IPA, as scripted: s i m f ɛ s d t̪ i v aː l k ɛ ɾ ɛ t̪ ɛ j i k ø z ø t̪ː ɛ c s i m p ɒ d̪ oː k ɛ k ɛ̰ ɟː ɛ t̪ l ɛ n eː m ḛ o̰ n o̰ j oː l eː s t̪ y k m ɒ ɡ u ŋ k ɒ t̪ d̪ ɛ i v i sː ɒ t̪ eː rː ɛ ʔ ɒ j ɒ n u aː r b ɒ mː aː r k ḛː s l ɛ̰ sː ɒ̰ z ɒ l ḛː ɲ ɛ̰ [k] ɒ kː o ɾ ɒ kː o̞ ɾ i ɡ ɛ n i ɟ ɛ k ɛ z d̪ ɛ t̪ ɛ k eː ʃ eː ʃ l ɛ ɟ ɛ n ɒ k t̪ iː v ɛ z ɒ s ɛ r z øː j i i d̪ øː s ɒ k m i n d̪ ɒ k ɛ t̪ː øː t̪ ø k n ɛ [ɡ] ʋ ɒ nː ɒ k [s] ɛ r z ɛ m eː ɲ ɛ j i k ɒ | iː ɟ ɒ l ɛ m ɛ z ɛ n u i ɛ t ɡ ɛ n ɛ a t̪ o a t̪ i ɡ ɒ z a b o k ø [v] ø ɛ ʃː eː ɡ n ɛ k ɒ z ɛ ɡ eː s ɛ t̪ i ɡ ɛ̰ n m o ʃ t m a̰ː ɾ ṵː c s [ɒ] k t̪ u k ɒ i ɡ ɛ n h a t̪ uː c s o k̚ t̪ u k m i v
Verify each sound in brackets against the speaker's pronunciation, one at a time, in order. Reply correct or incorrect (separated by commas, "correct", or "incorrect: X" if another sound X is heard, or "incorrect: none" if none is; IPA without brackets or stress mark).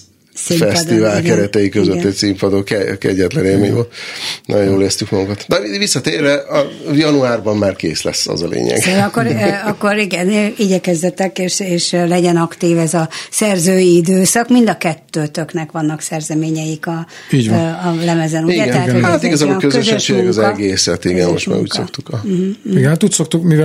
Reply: incorrect: ɡ, incorrect: k, correct, incorrect: z, incorrect: o